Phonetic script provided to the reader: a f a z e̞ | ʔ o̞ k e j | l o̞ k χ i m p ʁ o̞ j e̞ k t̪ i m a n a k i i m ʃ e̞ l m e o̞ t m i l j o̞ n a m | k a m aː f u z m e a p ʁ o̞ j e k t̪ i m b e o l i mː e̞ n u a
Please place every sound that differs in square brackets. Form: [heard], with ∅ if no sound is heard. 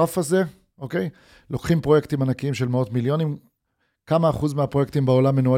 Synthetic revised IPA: a f a z e̞ | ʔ o̞ k e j | l o̞ k χ i m p ʁ o̞ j e̞ k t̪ i m a n a k i i m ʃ e̞ l m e o̞ t m i l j o̞ n [i] m | k a m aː [χ] u z m e a p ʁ o̞ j e k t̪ i m b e o l [a] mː e̞ n u a